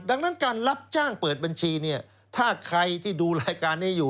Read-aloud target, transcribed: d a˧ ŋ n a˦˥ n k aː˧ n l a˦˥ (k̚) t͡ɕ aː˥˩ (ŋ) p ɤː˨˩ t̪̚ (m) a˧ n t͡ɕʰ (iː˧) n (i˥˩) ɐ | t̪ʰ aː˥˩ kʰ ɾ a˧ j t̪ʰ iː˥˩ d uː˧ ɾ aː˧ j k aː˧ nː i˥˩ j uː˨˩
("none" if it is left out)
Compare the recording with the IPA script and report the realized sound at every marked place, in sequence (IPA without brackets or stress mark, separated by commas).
p̚, ŋ, b, iː˧, i˥˩